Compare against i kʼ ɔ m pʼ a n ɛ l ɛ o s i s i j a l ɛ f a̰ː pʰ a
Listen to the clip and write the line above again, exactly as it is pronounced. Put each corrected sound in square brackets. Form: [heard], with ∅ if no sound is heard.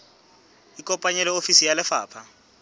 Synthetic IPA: i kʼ ɔ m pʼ a [ɲ] ɛ l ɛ o [f] i s i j a l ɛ f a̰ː pʰ a